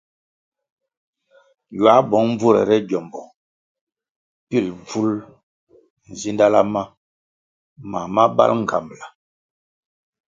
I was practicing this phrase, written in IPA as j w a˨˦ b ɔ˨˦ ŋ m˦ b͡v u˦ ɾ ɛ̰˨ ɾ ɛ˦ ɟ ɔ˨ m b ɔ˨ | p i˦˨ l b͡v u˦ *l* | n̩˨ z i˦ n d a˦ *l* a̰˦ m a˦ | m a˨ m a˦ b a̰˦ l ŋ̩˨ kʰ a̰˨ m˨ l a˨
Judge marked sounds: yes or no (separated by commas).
yes, yes